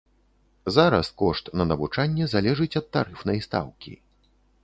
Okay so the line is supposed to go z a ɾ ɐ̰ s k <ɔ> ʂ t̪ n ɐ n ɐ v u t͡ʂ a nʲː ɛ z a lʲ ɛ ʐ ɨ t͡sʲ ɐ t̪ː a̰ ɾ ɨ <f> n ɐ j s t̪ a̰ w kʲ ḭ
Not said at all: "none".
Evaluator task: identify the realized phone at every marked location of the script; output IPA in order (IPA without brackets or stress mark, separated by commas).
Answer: ɔ, f